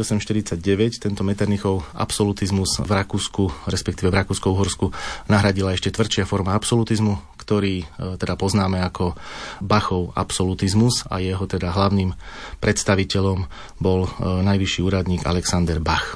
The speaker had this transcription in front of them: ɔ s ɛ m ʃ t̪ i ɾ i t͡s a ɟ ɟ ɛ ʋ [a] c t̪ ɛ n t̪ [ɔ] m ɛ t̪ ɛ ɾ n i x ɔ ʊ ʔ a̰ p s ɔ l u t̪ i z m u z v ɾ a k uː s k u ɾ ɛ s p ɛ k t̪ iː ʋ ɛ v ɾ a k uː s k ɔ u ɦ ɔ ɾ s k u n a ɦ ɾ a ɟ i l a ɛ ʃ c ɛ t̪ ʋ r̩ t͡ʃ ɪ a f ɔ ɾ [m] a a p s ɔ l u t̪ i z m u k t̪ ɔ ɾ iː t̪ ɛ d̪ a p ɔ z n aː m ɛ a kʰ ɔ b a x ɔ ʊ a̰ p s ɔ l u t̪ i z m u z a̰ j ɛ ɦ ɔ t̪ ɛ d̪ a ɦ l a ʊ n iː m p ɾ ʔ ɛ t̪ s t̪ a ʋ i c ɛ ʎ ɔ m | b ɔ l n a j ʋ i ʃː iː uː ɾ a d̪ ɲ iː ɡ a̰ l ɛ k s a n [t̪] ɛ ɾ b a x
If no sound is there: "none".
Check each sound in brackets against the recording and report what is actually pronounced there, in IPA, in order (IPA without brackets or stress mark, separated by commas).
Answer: ɛ, ɔ, m, d̪